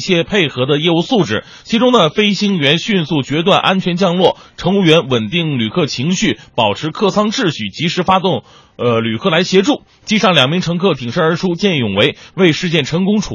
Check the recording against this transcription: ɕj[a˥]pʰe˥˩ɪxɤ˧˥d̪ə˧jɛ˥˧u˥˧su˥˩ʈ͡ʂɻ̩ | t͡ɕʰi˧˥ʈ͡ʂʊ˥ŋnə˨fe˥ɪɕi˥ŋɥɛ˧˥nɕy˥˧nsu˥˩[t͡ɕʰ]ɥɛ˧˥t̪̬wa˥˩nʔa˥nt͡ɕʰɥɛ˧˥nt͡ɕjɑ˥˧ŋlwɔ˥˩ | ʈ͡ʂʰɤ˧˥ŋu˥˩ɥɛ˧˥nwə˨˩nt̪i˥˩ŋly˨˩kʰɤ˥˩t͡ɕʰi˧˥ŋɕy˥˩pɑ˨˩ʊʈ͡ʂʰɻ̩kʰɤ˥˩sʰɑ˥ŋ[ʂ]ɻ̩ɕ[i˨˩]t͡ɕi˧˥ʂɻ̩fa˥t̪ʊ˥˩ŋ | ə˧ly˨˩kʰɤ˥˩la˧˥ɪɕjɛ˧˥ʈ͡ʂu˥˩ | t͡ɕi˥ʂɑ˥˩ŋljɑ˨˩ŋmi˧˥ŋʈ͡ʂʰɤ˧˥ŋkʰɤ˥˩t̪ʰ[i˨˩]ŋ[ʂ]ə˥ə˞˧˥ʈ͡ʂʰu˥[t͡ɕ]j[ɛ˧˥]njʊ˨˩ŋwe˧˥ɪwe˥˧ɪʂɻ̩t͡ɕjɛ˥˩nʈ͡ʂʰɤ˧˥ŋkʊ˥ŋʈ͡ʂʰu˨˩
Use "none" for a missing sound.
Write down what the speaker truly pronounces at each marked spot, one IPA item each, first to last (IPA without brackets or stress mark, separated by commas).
ɛ˥, t͡ɕ, ʈ͡ʂ, y˨˩, i˨˩, ʂ, t͡ɕ, ɛ˥˩